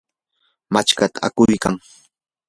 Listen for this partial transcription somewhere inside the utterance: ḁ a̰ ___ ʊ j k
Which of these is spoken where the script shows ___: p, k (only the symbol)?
k